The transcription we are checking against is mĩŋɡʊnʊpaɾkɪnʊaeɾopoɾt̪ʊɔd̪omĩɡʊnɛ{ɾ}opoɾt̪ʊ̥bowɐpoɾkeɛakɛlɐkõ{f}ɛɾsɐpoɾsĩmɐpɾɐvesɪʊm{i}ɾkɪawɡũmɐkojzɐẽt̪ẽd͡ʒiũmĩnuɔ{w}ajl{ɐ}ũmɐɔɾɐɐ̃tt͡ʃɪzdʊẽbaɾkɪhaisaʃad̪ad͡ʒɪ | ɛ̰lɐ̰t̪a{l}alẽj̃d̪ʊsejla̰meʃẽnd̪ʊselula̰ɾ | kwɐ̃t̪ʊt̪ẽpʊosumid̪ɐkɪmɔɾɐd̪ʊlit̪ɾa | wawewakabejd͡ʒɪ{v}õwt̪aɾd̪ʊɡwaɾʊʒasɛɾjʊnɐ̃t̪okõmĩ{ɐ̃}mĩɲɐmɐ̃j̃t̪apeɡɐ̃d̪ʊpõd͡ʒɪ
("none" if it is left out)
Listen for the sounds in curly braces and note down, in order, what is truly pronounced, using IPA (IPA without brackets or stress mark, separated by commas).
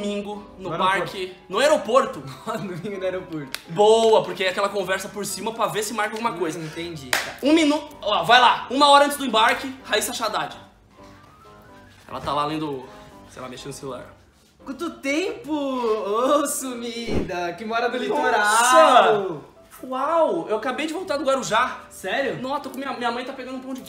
ɾ, v, a, v, a, l, v, ɐ